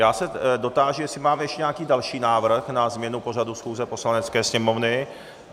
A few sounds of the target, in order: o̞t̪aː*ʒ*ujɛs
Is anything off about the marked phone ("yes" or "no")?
no